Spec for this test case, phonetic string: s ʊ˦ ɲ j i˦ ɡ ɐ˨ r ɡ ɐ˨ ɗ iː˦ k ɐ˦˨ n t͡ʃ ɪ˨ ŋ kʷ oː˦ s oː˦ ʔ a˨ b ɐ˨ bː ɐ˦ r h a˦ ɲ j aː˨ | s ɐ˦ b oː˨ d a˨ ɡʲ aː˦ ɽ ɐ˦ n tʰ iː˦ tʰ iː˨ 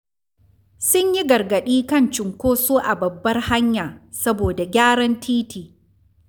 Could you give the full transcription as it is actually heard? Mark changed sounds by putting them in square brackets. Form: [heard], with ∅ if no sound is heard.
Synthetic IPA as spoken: s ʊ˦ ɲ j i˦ ɡ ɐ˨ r ɡ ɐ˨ ɗ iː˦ k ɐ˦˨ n t͡ʃ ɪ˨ ŋ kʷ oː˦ s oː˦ ʔ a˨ b ɐ˨ bː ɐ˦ r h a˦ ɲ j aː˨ | s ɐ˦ b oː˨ d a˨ ɡʲ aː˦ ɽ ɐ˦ n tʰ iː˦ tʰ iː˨